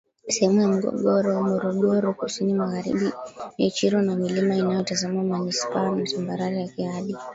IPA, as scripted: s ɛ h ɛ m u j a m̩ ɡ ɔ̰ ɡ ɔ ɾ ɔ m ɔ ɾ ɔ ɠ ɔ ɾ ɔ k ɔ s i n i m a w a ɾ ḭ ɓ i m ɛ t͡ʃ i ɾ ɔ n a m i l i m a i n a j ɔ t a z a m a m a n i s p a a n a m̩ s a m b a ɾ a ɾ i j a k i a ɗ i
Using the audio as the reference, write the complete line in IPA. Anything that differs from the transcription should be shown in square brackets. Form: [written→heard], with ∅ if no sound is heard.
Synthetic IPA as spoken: s ɛ h ɛ m u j a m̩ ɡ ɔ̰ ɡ ɔ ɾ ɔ m ɔ ɾ ɔ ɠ ɔ ɾ ɔ k [ɔ→u] s i n i m a [w→ɣ] a ɾ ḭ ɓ i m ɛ t͡ʃ i ɾ ɔ n a m i l i m a i n a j ɔ t a z a m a m a n i s p a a n a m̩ s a m b a ɾ a ɾ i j a k i a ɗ i